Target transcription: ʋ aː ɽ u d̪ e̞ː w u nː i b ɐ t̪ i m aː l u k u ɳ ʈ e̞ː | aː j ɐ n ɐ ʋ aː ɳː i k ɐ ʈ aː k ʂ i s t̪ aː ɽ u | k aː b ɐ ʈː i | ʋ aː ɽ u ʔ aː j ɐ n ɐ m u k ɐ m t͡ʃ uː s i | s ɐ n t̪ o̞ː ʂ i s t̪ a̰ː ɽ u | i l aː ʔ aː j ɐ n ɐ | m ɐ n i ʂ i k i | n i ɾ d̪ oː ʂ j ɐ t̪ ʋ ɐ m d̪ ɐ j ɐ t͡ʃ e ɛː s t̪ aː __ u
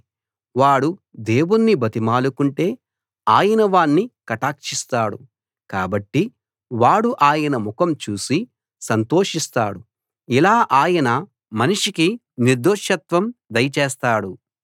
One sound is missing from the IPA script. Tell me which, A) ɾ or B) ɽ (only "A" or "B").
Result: B